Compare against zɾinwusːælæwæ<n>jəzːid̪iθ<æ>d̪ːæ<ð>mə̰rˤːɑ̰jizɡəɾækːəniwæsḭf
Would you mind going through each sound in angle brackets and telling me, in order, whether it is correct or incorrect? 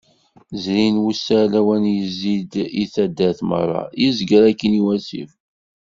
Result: correct, correct, incorrect: θ

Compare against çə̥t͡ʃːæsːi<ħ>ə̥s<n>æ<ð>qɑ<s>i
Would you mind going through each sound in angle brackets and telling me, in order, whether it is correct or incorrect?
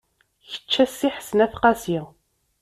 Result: correct, correct, incorrect: θ, correct

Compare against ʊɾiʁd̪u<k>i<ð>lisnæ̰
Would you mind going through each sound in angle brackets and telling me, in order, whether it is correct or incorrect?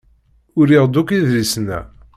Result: correct, correct

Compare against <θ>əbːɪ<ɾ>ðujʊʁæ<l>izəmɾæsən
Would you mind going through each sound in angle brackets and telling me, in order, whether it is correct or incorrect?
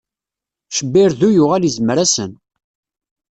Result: incorrect: ʃ, correct, correct

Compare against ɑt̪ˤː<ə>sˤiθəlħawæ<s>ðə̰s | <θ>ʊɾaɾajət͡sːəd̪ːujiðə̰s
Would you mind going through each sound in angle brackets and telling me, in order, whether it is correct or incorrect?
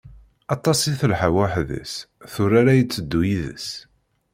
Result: incorrect: ɑ, incorrect: ħ, correct

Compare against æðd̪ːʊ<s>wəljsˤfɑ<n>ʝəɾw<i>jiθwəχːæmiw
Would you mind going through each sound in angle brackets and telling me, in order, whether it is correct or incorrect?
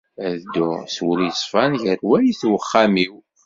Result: correct, correct, incorrect: æ

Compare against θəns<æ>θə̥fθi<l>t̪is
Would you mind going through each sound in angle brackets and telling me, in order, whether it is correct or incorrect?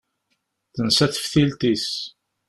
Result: correct, correct

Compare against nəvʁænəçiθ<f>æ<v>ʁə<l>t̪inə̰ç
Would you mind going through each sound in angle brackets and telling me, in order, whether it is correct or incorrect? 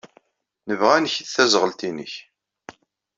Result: incorrect: θ, incorrect: z, correct

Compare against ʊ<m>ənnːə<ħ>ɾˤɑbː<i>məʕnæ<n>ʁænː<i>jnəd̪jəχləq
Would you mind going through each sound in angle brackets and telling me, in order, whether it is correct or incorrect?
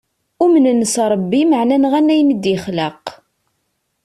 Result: correct, incorrect: s, correct, correct, incorrect: æ

